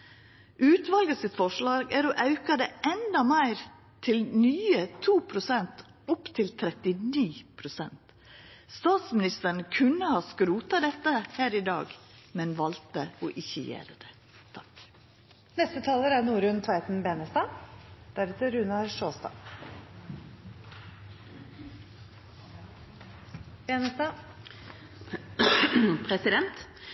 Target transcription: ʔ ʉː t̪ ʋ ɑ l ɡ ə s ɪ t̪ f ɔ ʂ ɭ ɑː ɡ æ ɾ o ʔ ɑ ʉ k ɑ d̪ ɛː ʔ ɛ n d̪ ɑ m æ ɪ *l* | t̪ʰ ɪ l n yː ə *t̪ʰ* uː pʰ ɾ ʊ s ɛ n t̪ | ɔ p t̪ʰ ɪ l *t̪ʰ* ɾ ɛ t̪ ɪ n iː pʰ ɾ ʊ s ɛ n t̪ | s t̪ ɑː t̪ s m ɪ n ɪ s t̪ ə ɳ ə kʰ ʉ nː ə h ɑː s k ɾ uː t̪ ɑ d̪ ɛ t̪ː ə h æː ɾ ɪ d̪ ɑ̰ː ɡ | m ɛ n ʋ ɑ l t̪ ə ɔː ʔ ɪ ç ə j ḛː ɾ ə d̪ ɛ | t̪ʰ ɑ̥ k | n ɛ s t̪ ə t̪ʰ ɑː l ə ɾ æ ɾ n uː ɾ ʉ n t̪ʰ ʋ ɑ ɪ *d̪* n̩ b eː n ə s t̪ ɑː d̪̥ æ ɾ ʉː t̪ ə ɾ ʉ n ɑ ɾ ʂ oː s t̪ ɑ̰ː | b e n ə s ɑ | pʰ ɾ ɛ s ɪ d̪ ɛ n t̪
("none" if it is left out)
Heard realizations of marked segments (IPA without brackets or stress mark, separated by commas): ɾ, t̪ʰ, t̪ʰ, t̪